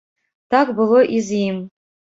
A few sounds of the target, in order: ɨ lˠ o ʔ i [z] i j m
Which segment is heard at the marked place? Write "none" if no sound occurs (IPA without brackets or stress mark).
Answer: z